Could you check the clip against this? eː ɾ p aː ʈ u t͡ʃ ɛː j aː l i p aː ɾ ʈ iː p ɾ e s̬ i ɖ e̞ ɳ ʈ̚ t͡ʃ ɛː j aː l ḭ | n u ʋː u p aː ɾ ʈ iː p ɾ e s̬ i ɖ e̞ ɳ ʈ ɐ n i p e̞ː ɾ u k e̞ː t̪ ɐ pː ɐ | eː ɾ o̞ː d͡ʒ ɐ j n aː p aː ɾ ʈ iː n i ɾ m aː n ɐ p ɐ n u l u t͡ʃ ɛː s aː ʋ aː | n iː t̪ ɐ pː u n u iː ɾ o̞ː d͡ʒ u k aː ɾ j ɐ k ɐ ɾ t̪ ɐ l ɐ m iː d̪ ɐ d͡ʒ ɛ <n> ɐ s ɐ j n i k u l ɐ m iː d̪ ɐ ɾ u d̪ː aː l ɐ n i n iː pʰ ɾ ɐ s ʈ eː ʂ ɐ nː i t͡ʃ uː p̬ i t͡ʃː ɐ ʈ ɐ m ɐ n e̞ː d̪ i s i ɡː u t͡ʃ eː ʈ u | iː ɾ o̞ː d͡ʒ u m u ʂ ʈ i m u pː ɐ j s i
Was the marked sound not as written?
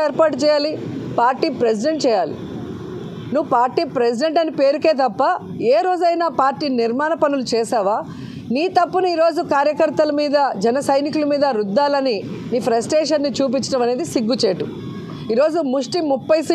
no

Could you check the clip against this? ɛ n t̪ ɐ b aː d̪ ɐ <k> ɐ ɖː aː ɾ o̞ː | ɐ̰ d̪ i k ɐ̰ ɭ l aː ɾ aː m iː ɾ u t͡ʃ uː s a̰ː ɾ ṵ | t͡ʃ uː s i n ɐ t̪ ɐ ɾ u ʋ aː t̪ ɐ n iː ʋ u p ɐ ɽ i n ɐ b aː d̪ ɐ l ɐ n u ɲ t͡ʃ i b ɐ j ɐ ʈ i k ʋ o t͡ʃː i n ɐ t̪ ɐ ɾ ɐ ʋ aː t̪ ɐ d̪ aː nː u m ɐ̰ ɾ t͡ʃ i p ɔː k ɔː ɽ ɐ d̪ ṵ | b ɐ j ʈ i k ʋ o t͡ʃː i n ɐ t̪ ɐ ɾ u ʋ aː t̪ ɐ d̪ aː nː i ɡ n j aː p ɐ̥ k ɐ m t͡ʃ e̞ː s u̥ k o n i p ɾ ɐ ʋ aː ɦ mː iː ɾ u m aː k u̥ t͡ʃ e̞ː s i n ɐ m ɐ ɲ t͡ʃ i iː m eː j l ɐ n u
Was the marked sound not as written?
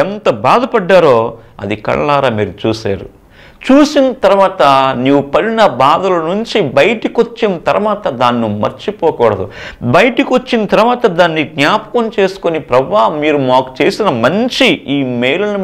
yes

